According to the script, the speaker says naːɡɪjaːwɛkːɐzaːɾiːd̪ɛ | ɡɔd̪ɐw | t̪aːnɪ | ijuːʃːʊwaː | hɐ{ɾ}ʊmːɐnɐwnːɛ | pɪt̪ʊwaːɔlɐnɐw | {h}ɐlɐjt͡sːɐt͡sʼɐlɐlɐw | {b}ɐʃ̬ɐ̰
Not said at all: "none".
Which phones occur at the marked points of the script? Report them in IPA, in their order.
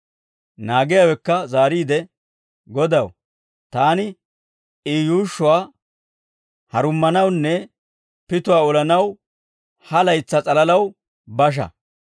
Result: ɾ, h, b

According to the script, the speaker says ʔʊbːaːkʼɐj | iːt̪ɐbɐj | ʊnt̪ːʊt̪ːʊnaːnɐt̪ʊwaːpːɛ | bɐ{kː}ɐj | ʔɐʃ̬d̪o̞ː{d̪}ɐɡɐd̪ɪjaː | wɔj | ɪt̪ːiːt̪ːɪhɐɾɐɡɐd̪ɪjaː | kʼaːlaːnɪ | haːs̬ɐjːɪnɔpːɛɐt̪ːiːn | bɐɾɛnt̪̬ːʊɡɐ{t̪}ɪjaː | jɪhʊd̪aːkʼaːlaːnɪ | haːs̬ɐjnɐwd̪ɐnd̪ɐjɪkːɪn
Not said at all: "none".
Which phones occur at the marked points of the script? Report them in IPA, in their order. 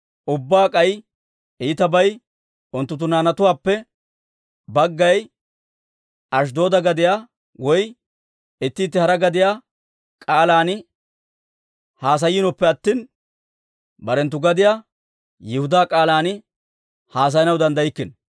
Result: ɡː, d̪, d̪

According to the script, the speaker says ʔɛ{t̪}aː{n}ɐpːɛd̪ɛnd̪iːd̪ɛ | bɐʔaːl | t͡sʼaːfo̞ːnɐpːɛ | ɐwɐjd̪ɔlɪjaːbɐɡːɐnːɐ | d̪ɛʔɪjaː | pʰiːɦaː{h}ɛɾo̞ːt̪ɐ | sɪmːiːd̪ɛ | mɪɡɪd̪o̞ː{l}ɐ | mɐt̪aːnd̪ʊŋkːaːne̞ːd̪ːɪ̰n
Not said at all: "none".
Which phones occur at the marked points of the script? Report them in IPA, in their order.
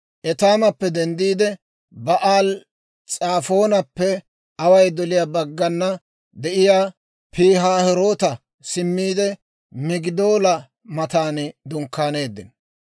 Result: t̪, m, h, l

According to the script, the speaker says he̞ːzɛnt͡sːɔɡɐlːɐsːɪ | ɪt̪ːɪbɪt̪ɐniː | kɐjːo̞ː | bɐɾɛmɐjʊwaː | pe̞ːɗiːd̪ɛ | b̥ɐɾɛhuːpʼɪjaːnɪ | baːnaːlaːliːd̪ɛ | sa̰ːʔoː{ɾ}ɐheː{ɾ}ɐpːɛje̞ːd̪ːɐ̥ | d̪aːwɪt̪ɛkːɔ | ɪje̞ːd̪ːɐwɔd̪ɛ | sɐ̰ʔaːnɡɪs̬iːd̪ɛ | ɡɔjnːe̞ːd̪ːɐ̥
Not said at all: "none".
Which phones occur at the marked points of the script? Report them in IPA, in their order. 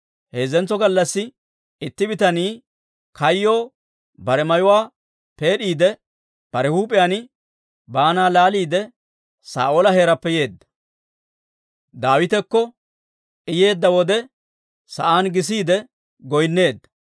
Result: l, ɾ

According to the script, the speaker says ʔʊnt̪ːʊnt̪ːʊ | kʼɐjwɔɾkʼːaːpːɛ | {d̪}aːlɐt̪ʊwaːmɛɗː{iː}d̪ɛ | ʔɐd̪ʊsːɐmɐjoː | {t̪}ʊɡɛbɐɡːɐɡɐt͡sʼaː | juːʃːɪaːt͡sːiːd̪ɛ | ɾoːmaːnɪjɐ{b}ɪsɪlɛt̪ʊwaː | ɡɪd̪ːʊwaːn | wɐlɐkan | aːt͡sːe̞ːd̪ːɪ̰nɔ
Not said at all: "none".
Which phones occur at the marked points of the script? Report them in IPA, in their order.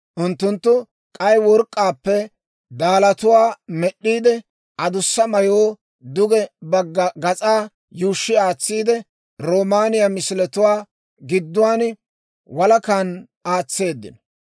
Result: d̪, iː, d̪, m

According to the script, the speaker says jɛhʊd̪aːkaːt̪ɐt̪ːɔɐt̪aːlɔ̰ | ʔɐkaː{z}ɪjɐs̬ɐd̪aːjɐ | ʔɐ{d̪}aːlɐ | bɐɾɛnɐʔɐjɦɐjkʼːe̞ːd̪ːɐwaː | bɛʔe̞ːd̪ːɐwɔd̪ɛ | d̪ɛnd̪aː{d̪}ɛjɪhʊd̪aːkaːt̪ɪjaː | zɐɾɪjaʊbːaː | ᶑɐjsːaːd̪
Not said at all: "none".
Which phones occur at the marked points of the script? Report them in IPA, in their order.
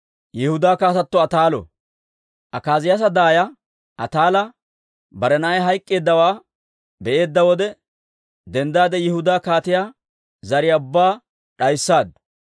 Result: z, t̪, d̪

